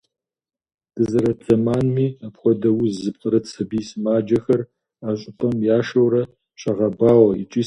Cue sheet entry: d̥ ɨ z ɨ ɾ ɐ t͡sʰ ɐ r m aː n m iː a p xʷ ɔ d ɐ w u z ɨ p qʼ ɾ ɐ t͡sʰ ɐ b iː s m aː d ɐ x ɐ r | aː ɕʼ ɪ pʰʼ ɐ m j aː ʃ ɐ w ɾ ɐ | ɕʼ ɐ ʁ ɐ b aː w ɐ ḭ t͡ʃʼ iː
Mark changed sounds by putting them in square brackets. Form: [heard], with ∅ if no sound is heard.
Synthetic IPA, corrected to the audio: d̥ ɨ z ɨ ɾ ɐ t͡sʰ ɐ [∅] m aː n m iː a p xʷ ɔ d ɐ w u z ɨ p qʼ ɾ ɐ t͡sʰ ɐ b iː s m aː [d͡ʒ] ɐ x ɐ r | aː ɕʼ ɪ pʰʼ ɐ m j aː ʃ ɐ w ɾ ɐ | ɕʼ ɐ ʁ ɐ b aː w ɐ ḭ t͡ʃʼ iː

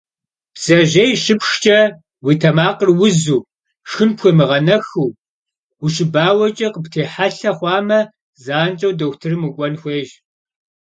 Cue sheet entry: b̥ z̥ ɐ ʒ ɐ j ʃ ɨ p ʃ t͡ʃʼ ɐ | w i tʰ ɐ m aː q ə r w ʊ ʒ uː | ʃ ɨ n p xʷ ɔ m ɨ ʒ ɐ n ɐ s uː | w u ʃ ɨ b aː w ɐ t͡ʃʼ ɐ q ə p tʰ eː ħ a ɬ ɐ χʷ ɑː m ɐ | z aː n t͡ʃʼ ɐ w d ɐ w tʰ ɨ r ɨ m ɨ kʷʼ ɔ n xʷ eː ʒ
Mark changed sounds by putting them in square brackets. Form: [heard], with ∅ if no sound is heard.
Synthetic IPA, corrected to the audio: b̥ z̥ ɐ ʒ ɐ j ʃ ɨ p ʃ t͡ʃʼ ɐ | w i tʰ ɐ m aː q ə r w ʊ [z] uː | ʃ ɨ n p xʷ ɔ m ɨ [ʁ] ɐ n ɐ [x] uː | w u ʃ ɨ b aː w ɐ t͡ʃʼ ɐ q ə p tʰ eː ħ a ɬ ɐ χʷ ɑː m ɐ | z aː n t͡ʃʼ ɐ w d ɐ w tʰ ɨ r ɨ m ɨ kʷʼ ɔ n xʷ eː ʒ

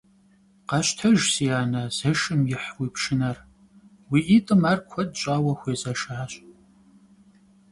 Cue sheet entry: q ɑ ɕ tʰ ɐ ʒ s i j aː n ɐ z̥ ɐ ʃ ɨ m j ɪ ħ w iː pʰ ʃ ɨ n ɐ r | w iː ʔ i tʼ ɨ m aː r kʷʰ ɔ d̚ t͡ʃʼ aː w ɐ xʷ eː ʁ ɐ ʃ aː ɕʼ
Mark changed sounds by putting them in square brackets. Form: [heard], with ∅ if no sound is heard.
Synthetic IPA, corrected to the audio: q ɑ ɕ tʰ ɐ ʒ s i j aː n ɐ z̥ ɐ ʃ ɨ m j ɪ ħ w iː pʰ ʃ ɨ n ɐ r | w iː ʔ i tʼ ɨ m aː r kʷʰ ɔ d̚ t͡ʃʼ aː w ɐ xʷ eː [z] ɐ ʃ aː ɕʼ

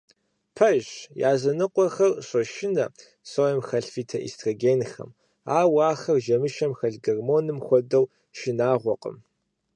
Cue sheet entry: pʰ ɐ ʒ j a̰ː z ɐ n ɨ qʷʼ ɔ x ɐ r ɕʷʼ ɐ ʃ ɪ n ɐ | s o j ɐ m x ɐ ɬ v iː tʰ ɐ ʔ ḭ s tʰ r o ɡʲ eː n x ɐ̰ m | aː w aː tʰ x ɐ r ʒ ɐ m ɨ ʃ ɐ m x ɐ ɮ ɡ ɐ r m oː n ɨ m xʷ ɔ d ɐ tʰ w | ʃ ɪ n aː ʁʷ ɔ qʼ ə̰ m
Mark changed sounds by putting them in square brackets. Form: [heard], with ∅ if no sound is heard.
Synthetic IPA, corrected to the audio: pʰ ɐ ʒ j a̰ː z ɐ n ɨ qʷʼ ɔ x ɐ r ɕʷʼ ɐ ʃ ɪ n ɐ | s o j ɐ m x ɐ ɬ [f] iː tʰ ɐ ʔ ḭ s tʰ r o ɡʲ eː n x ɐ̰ m | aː w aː [∅] x ɐ r ʒ ɐ m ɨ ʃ ɐ m x ɐ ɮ ɡ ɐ r m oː n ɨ m xʷ ɔ d ɐ [∅] w | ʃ ɪ n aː ʁʷ ɔ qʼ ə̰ m

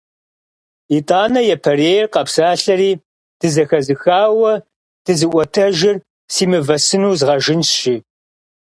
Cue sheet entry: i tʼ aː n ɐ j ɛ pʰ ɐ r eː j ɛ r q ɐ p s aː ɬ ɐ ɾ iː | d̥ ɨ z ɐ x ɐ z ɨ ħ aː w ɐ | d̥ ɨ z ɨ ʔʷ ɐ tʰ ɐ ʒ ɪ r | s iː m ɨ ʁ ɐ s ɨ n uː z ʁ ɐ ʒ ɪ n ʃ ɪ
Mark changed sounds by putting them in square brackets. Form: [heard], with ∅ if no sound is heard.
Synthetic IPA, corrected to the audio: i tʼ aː n ɐ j ɛ pʰ ɐ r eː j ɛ r q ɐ p s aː ɬ ɐ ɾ iː | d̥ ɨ z ɐ x ɐ z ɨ [x] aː w ɐ | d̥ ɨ z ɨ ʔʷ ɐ tʰ ɐ ʒ ɪ r | s iː m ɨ [v] ɐ s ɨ n uː z ʁ ɐ ʒ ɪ n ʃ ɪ

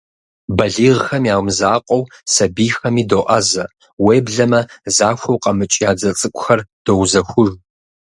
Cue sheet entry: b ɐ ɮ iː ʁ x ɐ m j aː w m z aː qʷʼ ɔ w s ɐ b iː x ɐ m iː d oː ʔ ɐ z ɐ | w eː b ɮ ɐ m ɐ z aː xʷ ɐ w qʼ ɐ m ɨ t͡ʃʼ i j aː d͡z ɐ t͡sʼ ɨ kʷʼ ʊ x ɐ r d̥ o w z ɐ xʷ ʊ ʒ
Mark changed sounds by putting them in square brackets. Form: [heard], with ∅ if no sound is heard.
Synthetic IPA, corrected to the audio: b ɐ ɮ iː ʁ x ɐ m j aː w m z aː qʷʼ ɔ w s ɐ b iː x ɐ m iː d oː ʔ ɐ z ɐ | w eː b ɮ ɐ m ɐ z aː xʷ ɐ w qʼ ɐ m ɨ t͡ʃʼ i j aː d͡z ɐ t͡sʼ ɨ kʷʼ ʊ x ɐ r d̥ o w z ɐ xʷ ʊ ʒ

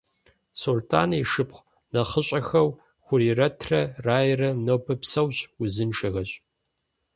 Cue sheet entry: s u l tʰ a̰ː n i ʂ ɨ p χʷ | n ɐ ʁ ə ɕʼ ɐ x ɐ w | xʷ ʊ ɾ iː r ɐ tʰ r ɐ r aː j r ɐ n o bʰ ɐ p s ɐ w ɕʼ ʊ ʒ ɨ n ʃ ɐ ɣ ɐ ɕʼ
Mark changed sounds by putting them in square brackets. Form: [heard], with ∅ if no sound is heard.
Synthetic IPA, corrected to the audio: s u l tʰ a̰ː n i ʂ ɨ p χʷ | n ɐ [χ] ə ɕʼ ɐ x ɐ w | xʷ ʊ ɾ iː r ɐ tʰ r ɐ r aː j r ɐ n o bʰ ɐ p s ɐ w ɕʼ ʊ [z] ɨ n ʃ ɐ ɣ ɐ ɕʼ

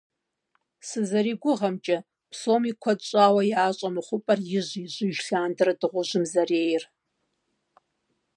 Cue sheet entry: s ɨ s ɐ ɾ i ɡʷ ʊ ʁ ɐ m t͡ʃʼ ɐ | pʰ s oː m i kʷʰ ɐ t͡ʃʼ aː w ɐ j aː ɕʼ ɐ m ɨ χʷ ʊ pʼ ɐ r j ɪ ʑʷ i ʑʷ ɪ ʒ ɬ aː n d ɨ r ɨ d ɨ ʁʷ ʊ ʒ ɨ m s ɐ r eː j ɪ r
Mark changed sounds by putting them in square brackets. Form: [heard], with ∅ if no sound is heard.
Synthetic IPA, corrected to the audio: s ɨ [z] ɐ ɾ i ɡʷ ʊ ʁ ɐ m t͡ʃʼ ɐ | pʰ s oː m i kʷʰ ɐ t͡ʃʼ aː w ɐ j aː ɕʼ ɐ m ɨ χʷ ʊ pʼ ɐ r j ɪ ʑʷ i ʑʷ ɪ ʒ ɬ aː n d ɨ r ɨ d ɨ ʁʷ ʊ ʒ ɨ m [z] ɐ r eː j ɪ r

